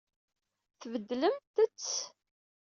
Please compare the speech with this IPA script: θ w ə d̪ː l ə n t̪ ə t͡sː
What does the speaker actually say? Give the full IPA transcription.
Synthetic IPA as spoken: θ v ə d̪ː l ə m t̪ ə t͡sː